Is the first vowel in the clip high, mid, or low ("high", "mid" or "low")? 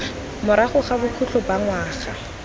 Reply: high